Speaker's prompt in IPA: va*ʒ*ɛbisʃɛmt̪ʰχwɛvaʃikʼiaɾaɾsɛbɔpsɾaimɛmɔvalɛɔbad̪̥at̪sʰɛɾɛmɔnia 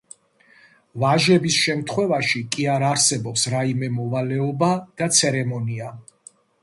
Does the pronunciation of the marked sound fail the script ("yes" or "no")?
no